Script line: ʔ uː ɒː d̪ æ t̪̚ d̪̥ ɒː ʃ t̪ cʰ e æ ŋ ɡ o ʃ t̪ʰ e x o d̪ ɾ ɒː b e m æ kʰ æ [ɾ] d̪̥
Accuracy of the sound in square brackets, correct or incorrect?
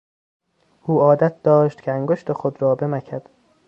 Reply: incorrect